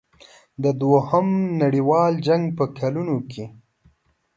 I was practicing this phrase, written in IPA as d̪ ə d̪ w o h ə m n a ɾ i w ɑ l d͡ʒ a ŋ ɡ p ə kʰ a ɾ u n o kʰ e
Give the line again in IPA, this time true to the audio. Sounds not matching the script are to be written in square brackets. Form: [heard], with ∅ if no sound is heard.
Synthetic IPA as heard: d̪ ə d̪ w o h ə m n a [ɽ] i w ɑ l d͡ʒ a ŋ ɡ p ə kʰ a [l] u n o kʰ e